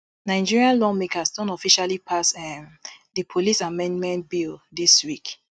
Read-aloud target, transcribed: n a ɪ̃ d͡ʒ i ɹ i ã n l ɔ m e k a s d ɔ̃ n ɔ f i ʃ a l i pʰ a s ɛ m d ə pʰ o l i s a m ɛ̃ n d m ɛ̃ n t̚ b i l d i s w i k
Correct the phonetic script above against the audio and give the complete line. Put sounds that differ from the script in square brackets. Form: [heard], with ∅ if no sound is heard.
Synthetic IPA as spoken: n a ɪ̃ d͡ʒ i ɹ i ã n l ɔ m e k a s d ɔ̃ n ɔ f i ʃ a l i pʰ a s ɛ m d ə pʰ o l i s a m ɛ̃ n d m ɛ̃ n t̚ b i l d i s w i k